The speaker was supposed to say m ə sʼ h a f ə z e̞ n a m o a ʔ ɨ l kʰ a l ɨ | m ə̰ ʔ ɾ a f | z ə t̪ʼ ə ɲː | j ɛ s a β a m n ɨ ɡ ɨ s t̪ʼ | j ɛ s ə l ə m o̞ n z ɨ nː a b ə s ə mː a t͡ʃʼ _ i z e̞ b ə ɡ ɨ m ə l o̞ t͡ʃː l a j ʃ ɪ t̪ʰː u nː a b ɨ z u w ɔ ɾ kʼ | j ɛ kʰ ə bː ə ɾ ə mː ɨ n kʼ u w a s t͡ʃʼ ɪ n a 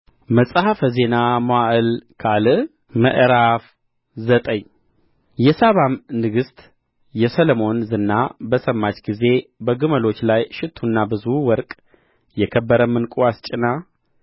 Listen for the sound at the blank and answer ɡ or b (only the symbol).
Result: ɡ